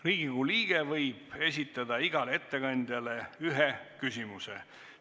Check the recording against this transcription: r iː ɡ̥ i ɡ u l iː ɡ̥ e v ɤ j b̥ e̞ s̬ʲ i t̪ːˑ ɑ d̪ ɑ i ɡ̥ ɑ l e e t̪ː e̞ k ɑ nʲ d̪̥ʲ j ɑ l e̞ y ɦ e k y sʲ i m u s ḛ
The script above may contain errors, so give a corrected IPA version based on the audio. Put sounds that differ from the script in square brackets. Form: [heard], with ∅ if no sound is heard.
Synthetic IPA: r iː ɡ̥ i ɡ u l iː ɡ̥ e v ɤ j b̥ e̞ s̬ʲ i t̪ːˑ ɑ d̪ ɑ i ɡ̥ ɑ l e e t̪ː e̞ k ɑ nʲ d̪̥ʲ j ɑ l e̞ y ɦ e k y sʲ i m u s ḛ